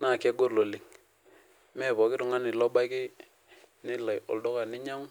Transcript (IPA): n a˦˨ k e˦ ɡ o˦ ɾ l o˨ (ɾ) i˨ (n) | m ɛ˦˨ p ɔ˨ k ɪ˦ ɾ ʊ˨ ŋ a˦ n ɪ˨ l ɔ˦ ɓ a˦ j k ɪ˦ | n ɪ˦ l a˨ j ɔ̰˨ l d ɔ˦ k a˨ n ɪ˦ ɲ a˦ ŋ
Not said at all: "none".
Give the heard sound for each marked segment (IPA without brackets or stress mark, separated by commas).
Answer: l, ŋ